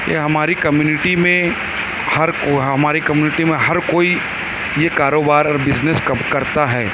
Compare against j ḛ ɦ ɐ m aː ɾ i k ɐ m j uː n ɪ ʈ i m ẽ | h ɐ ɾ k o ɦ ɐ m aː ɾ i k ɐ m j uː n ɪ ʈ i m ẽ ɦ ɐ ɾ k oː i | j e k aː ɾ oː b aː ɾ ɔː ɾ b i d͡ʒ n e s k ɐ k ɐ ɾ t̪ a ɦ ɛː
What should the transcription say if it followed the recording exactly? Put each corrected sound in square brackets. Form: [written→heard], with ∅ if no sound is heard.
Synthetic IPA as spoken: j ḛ ɦ ɐ m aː ɾ i k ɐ m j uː n ɪ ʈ i m ẽ | h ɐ ɾ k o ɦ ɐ m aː ɾ i k ɐ m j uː n ɪ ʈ i m ẽ ɦ ɐ ɾ k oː i | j e k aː ɾ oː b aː ɾ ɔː ɾ b [i→ɪ] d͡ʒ n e s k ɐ k ɐ ɾ t̪ a ɦ ɛː